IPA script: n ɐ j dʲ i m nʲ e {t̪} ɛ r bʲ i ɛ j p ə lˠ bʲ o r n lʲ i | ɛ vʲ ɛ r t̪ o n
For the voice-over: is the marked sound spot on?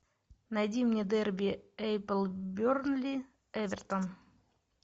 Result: no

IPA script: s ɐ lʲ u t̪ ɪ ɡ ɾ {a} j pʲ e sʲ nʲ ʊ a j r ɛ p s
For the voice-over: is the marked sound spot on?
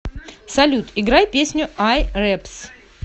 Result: yes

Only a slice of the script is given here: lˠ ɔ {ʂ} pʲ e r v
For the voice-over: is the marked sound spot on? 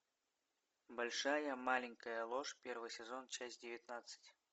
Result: yes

